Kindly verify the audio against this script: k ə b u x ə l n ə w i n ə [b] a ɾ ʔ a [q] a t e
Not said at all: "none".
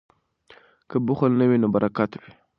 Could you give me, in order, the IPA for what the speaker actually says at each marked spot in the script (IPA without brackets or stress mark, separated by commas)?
b, k